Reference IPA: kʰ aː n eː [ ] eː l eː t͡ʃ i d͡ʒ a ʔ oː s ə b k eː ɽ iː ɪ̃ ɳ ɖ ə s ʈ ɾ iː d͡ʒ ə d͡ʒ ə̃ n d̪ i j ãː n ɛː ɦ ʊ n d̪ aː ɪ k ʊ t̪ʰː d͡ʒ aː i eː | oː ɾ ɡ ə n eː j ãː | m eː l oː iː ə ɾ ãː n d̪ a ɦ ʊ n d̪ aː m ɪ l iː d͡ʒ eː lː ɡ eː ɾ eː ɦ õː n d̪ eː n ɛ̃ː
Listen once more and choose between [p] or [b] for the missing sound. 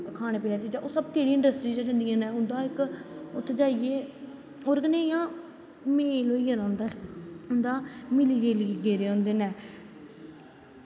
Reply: p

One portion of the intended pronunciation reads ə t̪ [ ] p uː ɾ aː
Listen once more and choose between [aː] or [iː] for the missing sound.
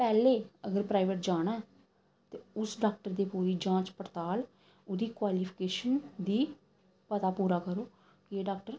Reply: aː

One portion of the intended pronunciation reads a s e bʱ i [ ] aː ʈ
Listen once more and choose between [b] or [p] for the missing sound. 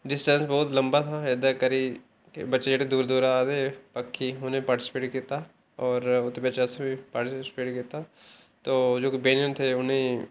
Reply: p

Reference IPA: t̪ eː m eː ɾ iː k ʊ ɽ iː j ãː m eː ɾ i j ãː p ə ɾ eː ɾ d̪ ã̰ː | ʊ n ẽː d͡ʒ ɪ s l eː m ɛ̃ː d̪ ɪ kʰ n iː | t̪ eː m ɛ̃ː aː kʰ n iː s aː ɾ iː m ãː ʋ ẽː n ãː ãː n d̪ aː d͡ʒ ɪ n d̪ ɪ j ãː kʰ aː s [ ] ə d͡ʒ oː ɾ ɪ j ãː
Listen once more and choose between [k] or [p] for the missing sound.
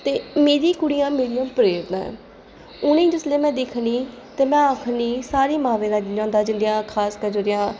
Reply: k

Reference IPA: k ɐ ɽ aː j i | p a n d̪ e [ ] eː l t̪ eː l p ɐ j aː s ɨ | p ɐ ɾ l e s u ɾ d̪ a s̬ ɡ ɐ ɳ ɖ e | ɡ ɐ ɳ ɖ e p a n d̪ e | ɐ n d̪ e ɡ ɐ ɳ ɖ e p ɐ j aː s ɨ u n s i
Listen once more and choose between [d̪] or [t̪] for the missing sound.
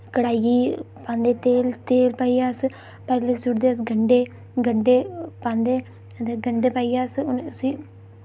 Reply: t̪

